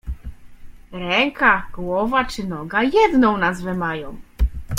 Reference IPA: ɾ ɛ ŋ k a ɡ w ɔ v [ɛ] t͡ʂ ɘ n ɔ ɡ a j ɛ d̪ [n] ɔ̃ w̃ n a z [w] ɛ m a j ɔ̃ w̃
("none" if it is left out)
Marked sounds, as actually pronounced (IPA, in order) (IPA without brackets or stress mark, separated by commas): a, n, v